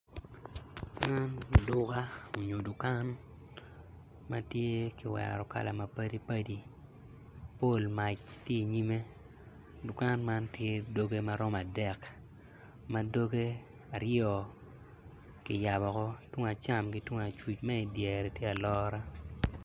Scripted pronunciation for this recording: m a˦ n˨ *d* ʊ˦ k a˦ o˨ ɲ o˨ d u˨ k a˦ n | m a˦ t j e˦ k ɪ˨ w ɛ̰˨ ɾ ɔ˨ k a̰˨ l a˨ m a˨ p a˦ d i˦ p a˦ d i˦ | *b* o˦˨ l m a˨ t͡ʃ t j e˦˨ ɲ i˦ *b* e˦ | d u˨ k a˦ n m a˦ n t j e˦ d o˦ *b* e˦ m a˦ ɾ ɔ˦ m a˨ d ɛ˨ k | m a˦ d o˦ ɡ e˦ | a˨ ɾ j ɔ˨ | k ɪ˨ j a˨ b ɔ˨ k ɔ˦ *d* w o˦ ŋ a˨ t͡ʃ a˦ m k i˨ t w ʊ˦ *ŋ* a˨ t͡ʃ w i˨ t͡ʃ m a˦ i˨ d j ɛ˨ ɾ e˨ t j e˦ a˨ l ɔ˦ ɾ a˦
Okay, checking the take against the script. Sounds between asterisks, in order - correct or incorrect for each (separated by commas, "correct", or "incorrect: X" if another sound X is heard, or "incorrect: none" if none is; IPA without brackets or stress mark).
correct, incorrect: p, incorrect: m, incorrect: ɡ, incorrect: t, correct